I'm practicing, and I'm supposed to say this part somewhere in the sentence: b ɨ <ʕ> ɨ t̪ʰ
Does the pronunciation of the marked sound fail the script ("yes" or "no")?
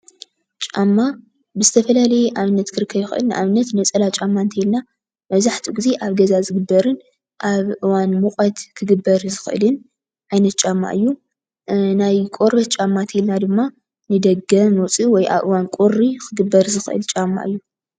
yes